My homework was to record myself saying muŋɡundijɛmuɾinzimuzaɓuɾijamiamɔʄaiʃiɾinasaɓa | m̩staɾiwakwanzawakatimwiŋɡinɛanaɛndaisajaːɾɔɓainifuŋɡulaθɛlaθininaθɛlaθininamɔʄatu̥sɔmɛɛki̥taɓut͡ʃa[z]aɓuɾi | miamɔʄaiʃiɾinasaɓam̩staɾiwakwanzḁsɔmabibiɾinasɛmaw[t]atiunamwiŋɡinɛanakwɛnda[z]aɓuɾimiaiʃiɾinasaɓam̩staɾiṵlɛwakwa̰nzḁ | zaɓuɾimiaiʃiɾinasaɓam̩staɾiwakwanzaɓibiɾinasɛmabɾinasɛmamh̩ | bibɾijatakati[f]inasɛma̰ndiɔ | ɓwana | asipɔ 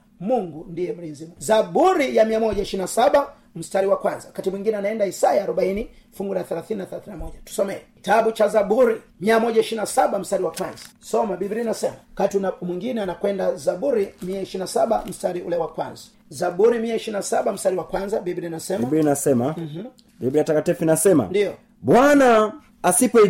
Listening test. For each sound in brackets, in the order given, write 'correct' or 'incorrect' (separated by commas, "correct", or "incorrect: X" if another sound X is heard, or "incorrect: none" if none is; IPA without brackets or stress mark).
correct, incorrect: k, correct, correct